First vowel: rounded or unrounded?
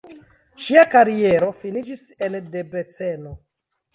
unrounded